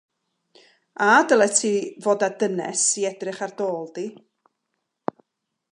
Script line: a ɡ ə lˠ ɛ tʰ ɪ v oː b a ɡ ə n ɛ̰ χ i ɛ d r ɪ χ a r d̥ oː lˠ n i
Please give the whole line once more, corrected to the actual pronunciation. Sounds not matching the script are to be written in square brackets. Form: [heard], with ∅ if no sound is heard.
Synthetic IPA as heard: a [d] ə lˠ ɛ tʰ [i] v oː [d] a [d] ə n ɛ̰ [s] i ɛ d r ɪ χ a r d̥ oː lˠ [d] i